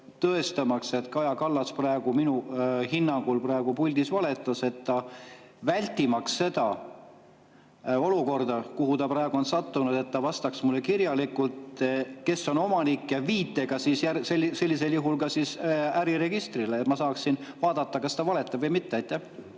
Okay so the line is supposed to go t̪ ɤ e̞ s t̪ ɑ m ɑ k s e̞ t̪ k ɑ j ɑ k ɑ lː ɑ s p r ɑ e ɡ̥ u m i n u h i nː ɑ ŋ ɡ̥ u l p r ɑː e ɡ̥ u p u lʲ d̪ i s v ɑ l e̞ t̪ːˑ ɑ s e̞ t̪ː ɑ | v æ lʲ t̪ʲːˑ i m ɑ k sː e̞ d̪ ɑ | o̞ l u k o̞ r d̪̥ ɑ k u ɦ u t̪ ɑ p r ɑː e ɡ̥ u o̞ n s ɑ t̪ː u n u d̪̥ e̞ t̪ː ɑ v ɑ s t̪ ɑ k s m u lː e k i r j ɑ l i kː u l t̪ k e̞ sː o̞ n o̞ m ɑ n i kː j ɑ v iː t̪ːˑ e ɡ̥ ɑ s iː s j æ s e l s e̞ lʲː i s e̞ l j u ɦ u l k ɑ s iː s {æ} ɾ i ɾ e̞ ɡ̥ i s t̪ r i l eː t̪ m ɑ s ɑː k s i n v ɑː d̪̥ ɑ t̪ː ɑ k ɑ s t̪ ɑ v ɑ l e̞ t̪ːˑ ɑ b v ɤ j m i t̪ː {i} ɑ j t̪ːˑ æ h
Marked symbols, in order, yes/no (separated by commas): yes, no